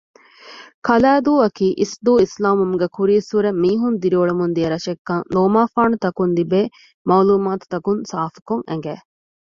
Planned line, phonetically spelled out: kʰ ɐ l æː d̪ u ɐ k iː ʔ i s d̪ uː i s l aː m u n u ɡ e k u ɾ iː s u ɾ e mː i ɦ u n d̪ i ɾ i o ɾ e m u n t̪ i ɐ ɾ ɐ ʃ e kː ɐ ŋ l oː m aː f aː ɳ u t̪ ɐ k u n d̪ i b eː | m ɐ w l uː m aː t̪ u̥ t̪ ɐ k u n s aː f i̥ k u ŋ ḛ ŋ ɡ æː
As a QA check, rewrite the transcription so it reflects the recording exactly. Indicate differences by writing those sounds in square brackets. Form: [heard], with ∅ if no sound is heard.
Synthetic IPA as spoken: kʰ ɐ l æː d̪ [uː] ɐ k iː ʔ i s d̪ uː i s l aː m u [m] u ɡ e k u ɾ iː s u ɾ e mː [iː] ɦ u n d̪ i ɾ i o [ɭ] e m u n [d̪] i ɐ ɾ ɐ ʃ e kː ɐ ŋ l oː m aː f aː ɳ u t̪ ɐ k u n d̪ i b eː | m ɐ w l uː m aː t̪ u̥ t̪ ɐ k u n s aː f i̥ k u ŋ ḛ ŋ ɡ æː